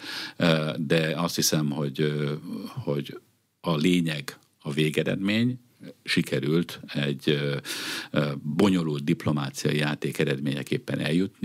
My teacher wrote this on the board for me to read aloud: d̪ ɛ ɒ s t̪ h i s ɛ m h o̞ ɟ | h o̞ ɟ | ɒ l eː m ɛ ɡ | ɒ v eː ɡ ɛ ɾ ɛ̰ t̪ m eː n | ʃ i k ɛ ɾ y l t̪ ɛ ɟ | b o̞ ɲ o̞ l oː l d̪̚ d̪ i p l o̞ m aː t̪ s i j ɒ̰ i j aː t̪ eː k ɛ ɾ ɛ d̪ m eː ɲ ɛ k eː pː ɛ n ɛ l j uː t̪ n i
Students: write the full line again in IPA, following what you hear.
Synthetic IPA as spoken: d̪ ɛ ɒ s t̪ h i s ɛ m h o̞ ɟ | h o̞ ɟ | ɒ l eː ɲ ɛ ɡ | ɒ v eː ɡ ɛ ɾ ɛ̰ d̪ m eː ɲ | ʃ i k ɛ ɾ y l t̪ ɛ ɟ | b o̞ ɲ o̞ l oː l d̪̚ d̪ i p l o̞ m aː t̪ s i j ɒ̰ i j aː t̪ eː k ɛ ɾ ɛ d̪ m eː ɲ ɛ k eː pː ɛ n ɛ l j u t̪ n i